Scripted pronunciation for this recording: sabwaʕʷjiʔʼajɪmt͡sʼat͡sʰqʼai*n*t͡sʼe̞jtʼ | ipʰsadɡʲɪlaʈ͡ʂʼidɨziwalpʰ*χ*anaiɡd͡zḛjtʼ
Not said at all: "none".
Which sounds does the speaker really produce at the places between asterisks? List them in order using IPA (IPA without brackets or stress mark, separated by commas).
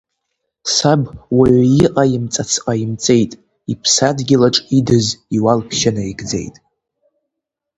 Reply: m, ʃ